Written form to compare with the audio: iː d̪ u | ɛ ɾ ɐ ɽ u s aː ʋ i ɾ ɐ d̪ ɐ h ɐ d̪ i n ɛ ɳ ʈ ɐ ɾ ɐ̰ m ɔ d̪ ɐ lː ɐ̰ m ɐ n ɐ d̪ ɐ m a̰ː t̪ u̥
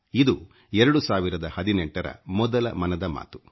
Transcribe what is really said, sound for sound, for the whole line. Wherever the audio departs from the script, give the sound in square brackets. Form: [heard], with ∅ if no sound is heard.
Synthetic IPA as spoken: [i] d̪ u | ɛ ɾ ɐ ɽ u s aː ʋ i ɾ ɐ d̪ ɐ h ɐ d̪ i n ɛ ɳ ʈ ɐ ɾ ɐ̰ m ɔ d̪ ɐ [l] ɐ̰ m ɐ n ɐ d̪ ɐ m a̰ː t̪ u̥